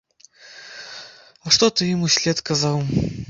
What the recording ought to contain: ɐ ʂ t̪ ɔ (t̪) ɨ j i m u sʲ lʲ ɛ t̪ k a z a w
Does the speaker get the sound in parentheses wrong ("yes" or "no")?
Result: no